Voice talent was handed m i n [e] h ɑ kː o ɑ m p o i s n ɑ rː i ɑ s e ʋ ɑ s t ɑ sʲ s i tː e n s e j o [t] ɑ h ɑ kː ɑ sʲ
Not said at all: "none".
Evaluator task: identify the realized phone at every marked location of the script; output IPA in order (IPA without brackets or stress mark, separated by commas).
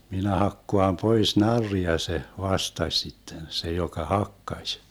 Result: æ, k